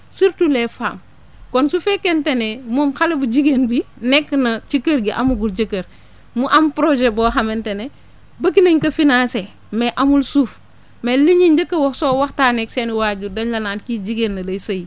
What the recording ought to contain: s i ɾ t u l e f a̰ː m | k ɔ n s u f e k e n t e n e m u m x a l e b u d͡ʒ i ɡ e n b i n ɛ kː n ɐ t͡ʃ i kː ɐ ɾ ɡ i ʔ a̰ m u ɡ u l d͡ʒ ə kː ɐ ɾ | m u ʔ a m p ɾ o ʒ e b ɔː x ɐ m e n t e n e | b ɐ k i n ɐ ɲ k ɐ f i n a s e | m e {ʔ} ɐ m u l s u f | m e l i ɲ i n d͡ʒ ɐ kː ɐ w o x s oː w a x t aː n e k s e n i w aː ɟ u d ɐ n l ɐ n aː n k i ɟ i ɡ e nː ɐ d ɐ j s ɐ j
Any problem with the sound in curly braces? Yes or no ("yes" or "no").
no